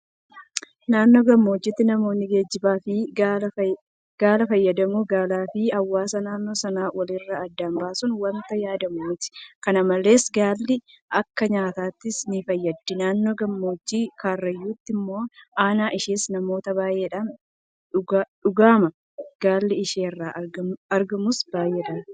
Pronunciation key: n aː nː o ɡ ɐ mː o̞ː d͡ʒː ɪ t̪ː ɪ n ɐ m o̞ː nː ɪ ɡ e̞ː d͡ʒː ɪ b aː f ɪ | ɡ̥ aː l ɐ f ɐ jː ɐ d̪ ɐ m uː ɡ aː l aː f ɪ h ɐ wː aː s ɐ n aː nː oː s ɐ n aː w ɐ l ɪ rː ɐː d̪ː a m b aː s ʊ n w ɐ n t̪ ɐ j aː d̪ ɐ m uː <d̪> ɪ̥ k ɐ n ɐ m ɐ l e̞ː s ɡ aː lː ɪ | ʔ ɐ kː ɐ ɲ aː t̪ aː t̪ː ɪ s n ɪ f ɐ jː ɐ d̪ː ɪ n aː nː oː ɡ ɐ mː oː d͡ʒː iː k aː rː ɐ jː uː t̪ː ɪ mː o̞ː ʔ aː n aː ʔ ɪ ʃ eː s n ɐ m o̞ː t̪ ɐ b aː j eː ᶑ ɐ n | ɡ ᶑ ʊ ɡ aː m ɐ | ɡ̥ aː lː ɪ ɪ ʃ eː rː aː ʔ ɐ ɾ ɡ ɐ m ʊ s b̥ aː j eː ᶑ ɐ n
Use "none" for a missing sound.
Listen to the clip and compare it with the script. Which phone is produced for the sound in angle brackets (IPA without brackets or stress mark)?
t̪